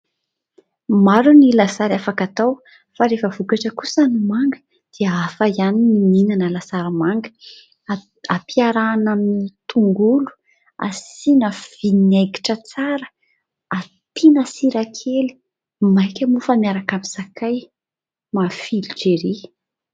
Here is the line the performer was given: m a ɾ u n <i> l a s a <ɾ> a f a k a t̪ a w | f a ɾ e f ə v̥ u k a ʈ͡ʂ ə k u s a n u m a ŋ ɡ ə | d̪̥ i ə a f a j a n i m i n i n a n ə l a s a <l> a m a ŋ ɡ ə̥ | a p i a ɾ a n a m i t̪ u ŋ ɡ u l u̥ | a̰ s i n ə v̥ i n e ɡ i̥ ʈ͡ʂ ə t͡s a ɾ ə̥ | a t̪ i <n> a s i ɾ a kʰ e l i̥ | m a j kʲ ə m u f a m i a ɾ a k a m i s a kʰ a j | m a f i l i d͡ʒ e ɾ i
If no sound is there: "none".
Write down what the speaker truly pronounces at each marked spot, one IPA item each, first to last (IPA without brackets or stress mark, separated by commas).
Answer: i, ɾ, ɾ, n